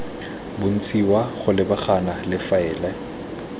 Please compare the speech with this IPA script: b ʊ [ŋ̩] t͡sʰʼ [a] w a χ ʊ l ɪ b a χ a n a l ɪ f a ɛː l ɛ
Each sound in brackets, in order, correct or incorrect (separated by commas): incorrect, incorrect